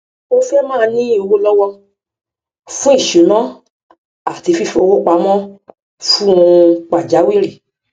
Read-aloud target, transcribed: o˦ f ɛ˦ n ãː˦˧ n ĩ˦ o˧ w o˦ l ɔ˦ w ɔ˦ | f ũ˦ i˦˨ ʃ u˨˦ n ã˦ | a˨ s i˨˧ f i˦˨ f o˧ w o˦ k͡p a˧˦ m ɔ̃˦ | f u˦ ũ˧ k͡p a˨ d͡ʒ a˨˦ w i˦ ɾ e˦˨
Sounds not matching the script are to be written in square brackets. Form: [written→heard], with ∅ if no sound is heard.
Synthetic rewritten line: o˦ f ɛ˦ [n→m] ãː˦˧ n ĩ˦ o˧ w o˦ l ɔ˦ w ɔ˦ | f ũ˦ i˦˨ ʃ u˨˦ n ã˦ | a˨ [s→t] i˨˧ f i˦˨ f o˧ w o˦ k͡p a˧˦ m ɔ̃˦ | f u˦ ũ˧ k͡p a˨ d͡ʒ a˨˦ w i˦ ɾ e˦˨